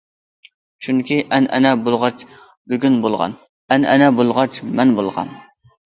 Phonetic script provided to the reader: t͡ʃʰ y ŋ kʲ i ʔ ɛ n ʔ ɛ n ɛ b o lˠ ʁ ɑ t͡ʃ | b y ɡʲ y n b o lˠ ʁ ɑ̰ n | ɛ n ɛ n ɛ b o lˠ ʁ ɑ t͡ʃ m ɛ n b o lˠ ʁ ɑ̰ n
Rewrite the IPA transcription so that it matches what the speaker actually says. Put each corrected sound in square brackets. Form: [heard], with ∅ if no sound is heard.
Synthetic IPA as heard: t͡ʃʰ y ŋ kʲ i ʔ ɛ n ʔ ɛ n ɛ b o lˠ ʁ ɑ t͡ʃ | b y ɡʲ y n b o lˠ ʁ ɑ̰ n | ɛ n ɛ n ɛ b o lˠ ʁ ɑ t͡ʃ m ɛ n b o lˠ ʁ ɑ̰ n